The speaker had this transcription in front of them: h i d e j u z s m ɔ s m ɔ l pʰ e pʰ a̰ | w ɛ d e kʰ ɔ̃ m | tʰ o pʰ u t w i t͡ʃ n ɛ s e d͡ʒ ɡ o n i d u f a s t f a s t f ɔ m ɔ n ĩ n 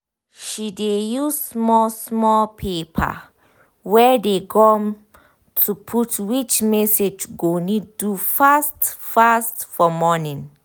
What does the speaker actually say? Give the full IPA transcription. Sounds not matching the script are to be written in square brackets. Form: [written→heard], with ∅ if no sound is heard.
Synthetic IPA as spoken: [h→ʃ] i d e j u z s m ɔ s m ɔ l pʰ e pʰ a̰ | w ɛ d e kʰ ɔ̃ m | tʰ [o→u] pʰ u t w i t͡ʃ [n→m] ɛ s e d͡ʒ ɡ o n i d u f a s t f a s t f ɔ m ɔ n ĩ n